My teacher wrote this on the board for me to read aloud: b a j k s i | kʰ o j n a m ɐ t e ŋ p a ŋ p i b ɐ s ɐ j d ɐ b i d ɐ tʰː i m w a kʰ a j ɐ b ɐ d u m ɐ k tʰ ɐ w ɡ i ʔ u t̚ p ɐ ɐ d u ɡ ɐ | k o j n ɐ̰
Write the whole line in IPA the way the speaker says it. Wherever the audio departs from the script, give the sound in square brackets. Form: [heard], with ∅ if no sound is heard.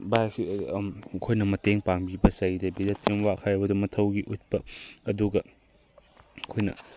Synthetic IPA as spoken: b a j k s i | kʰ o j n [ɐ] m ɐ t e ŋ p a ŋ [b] i b ɐ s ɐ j d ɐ b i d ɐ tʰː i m w a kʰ a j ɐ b ɐ d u m ɐ [∅] tʰ ɐ w ɡ i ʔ u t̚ p ɐ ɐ d u ɡ ɐ | [kʰ] o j n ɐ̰